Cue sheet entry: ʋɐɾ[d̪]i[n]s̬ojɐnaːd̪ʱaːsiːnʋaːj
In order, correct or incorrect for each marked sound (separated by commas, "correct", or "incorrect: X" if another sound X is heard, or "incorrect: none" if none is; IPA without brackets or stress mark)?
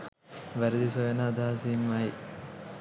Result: correct, incorrect: none